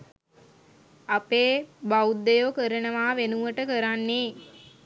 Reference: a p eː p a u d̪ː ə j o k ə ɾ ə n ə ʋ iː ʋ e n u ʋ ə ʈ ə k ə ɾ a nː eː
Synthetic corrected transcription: a p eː b a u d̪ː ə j o k ə ɾ ə n ə ʋ aː ʋ e n u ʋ ə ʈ ə k ə ɾ a nː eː